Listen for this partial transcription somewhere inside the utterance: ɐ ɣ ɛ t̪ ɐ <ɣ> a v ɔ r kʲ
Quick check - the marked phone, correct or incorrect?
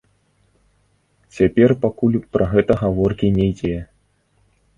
correct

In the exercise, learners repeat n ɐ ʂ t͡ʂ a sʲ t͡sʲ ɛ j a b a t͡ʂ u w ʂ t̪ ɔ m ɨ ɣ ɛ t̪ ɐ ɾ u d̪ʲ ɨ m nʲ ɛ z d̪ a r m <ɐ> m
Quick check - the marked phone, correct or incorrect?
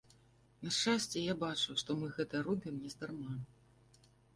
incorrect: a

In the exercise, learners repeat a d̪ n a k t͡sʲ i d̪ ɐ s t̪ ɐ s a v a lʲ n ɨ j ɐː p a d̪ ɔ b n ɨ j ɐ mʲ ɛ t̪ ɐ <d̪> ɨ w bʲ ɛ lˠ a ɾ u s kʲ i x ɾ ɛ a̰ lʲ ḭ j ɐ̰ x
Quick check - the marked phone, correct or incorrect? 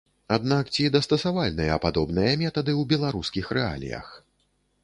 correct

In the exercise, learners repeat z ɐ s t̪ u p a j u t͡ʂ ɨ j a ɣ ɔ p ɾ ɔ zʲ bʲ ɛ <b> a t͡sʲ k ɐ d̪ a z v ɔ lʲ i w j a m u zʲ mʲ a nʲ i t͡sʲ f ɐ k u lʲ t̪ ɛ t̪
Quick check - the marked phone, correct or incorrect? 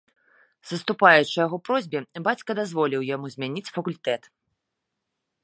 correct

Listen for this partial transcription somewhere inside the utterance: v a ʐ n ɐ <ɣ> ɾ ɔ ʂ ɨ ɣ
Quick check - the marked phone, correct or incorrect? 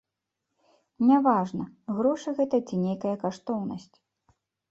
correct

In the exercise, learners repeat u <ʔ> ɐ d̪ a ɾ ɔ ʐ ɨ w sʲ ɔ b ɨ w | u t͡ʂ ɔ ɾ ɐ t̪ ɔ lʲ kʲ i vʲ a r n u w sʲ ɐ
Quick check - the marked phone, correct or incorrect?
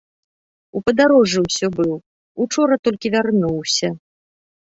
incorrect: p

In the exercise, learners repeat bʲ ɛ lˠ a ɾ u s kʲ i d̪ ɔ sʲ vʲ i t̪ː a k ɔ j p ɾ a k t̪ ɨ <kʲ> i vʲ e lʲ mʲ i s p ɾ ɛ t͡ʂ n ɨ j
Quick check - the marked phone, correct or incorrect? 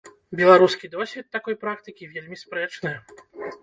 correct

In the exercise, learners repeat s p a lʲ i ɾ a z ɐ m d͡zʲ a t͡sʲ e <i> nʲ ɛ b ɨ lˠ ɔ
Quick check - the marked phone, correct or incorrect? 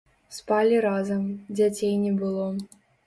incorrect: j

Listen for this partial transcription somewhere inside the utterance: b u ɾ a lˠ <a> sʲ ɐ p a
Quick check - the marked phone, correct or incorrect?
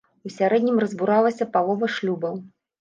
incorrect: ɐ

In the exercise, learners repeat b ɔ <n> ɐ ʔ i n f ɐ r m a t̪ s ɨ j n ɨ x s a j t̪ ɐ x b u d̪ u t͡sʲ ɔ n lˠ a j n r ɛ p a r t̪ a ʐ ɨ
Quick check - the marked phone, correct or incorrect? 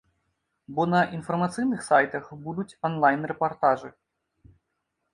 correct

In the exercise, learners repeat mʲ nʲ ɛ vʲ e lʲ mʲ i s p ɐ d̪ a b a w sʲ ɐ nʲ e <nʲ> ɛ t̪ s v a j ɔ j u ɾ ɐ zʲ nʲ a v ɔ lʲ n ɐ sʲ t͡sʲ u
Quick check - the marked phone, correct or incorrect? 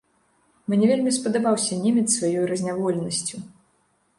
incorrect: mʲ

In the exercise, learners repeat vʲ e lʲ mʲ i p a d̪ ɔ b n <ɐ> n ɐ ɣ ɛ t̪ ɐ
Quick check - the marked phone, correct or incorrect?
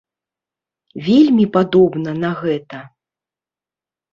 correct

